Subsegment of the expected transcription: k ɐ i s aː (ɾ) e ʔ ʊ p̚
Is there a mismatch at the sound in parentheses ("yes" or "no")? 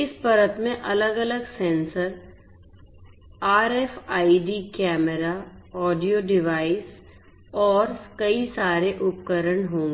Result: no